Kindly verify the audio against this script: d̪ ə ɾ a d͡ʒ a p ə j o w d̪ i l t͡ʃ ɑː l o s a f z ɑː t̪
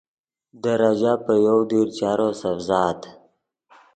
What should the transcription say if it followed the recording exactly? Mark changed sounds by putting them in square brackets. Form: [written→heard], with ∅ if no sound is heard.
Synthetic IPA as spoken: d̪ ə ɾ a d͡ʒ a p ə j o w d̪ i [l→ɾ] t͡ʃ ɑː [l→ɾ] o s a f z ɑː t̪